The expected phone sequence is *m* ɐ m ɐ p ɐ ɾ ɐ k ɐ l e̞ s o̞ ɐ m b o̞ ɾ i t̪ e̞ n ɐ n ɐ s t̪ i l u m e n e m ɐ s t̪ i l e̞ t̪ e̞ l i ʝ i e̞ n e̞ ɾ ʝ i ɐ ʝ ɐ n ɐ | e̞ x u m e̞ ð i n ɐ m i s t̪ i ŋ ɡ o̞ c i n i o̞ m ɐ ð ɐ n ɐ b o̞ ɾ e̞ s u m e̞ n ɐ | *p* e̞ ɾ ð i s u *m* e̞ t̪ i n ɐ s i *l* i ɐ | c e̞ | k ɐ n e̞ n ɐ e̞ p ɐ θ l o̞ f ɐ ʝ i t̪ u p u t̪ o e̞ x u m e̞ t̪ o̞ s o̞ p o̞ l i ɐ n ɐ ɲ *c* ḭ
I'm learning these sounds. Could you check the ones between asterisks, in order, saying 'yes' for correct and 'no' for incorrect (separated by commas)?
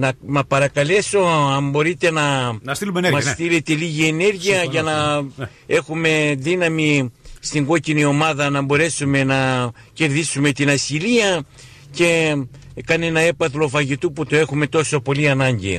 no, no, yes, yes, no